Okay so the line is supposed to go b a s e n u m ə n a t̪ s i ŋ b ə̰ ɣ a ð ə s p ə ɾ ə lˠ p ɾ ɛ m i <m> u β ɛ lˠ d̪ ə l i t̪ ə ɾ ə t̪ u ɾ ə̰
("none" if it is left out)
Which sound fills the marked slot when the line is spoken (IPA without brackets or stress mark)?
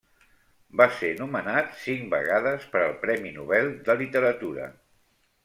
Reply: n